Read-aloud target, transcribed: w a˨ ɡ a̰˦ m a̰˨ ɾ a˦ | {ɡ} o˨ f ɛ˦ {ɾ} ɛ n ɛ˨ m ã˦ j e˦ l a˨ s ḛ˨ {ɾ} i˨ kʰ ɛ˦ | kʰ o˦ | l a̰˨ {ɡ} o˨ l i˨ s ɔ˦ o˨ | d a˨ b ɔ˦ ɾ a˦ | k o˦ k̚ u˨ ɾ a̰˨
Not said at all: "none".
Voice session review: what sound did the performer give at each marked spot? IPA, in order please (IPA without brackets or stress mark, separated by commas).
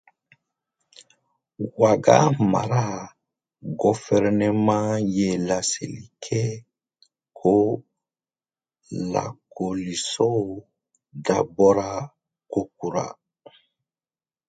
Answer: ɡ, ɾ, l, k